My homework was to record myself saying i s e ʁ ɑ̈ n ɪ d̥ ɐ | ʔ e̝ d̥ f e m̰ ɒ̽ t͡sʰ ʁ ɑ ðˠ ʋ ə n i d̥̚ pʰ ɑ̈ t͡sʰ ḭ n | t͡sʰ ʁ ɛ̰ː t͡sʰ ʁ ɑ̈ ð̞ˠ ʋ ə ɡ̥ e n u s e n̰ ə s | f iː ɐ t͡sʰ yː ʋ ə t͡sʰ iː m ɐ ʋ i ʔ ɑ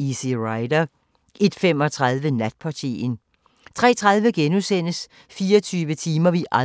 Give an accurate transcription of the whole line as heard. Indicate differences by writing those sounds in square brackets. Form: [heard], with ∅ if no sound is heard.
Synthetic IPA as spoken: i s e ʁ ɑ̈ [∅] ɪ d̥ ɐ | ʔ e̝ d̥ f e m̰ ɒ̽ t͡sʰ ʁ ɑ ðˠ ʋ ə n [æ] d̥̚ pʰ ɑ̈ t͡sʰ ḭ n | t͡sʰ ʁ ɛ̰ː t͡sʰ ʁ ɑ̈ ð̞ˠ ʋ ə ɡ̥ e n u s e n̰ ə s | f iː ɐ t͡sʰ yː ʋ ə t͡sʰ iː m ɐ ʋ i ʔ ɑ